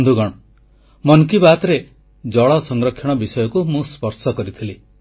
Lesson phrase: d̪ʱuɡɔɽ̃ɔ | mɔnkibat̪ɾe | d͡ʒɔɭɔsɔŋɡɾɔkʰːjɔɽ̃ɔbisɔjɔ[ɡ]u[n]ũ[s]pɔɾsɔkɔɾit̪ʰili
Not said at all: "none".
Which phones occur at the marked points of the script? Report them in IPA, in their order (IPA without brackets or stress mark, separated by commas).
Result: k, m, s